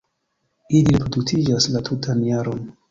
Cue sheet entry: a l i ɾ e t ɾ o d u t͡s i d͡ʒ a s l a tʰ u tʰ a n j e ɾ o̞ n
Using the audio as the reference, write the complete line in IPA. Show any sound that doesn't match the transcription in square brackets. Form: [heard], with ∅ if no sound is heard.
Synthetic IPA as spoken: [i] l i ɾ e [p] ɾ o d u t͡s i d͡ʒ a s l a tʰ u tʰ a n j [a] ɾ o̞ n